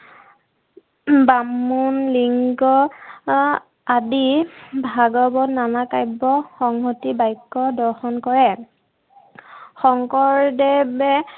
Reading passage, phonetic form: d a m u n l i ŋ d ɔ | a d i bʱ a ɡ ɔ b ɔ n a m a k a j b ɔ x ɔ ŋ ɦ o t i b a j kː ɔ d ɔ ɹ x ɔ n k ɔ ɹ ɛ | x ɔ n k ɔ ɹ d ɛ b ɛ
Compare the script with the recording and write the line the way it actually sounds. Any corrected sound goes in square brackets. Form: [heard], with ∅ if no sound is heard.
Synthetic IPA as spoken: [b] a m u n l i ŋ [ɡ] ɔ | a d i bʱ a ɡ ɔ b ɔ n a [n] a k a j b ɔ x ɔ ŋ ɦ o t i b a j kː ɔ d ɔ ɹ x ɔ n k ɔ ɹ ɛ | x ɔ [ŋ] k ɔ ɹ d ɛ b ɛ